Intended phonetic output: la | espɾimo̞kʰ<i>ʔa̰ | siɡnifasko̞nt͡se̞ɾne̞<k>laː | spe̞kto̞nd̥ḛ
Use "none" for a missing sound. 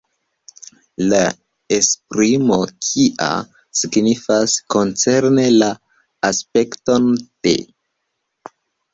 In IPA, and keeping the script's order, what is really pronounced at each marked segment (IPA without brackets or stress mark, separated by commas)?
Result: i, none